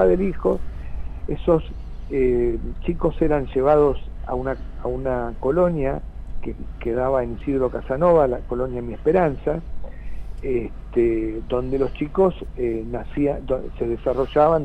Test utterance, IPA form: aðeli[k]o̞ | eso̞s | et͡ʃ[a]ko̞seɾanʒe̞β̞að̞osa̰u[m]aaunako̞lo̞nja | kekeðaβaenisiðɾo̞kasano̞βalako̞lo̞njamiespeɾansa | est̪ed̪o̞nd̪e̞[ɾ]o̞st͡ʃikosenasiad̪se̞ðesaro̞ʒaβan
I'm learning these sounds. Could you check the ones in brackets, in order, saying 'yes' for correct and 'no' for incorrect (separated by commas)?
no, no, no, no